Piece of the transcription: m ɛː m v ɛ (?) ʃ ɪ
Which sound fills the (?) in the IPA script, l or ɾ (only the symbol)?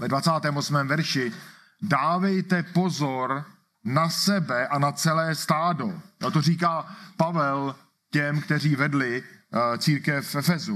ɾ